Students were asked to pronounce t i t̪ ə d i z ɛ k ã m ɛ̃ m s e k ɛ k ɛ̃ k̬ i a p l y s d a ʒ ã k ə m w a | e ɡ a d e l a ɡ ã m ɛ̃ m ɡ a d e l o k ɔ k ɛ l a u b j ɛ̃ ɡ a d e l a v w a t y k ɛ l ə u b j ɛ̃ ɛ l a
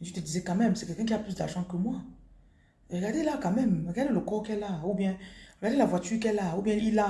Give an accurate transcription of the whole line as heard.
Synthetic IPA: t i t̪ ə d i z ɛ k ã m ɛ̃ m s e k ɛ k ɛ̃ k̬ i a p l y s d a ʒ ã k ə m w a | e ɡ a d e l a k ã m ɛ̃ m ɡ a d e l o k ɔ k ɛ l a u b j ɛ̃ ɡ a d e l a v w a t y k ɛ l a u b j ɛ̃ i l a